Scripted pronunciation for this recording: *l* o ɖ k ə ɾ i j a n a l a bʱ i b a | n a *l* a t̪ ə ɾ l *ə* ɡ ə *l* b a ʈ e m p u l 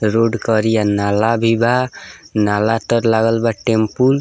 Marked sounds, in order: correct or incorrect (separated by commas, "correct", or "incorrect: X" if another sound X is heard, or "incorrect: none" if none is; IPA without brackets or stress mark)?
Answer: incorrect: ɾ, correct, incorrect: a, correct